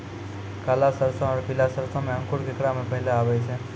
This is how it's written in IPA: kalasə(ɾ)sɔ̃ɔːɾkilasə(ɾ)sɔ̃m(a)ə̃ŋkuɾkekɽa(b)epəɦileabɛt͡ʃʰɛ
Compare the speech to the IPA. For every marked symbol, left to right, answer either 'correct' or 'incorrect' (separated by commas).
correct, correct, incorrect, incorrect